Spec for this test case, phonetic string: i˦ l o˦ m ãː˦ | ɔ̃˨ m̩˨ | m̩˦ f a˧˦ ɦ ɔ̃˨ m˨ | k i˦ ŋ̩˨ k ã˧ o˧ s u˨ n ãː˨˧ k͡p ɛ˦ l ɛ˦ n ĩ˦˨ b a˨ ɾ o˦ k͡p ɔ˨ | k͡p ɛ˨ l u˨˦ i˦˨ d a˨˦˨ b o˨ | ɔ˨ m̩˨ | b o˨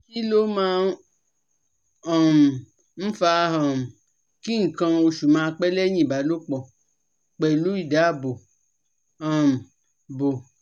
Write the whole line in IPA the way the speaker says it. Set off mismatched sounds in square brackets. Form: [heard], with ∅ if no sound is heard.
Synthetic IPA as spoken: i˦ l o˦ m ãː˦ | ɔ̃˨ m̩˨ | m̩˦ f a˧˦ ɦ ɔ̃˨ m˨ | k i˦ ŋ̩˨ k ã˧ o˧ [ʃ] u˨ [m] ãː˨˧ k͡p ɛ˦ l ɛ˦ [ɲ] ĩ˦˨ b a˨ [l] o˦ k͡p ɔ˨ | k͡p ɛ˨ l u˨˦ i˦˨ d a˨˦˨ b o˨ | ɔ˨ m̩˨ | b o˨